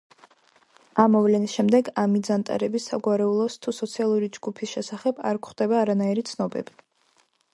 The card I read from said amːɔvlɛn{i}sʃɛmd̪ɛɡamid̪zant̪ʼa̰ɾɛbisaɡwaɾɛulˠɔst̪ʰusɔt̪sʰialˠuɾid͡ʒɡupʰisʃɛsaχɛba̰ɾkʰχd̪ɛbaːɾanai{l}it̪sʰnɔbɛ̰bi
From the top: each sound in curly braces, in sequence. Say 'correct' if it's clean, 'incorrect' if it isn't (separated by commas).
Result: correct, incorrect